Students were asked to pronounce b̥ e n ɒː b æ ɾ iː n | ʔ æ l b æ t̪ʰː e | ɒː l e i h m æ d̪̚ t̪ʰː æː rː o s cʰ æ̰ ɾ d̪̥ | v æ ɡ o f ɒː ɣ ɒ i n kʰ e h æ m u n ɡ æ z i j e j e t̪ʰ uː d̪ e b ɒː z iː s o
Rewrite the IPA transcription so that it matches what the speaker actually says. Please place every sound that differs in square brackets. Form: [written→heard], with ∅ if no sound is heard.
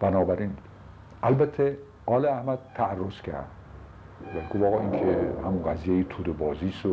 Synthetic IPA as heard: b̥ [e→æ] n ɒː b æ ɾ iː n | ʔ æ l b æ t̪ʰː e | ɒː l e [i→æ] h m æ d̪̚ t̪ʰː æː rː o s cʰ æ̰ ɾ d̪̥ | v æ ɡ o f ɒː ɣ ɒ i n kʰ e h æ m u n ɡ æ z i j e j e t̪ʰ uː d̪ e b ɒː z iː s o